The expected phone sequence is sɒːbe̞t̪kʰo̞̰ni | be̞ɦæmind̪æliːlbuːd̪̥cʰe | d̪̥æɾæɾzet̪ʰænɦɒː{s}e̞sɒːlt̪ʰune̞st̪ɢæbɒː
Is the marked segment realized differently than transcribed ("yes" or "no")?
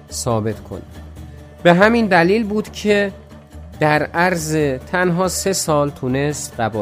no